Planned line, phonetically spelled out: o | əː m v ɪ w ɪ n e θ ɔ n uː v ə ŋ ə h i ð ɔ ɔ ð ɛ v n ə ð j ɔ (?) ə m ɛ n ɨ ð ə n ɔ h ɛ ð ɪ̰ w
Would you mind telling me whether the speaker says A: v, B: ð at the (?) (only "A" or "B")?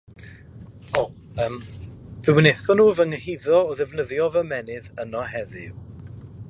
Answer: A